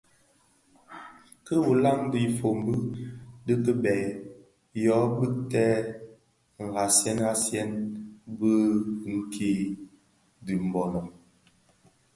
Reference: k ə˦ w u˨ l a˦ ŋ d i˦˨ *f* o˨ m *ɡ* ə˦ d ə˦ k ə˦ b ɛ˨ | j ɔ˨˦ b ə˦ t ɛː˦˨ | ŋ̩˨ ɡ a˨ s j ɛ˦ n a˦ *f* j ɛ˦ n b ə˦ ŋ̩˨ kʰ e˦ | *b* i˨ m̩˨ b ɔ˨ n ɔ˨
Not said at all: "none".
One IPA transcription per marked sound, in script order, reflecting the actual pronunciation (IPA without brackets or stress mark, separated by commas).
f, b, s, d